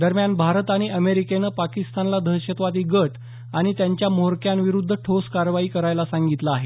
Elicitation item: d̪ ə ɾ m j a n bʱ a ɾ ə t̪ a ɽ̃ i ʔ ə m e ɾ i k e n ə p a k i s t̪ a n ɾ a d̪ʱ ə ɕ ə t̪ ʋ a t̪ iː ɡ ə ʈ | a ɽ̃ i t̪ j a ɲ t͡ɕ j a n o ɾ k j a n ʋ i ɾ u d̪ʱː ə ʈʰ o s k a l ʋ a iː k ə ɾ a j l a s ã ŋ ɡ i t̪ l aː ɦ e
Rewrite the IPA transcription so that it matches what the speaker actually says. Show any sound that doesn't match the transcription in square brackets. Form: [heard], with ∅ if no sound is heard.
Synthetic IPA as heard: d̪ ə ɾ m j a n bʱ a ɾ ə t̪ a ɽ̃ i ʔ ə m e ɾ i k e n ə p a k i s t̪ a n [l] a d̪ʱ ə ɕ ə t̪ ʋ a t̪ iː ɡ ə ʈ | a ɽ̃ i t̪ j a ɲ t͡ɕ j a [m] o ɾ k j a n ʋ i ɾ u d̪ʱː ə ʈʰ o s k a [ɾ] ʋ a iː k ə ɾ a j l a s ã ŋ ɡ i t̪ l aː ɦ e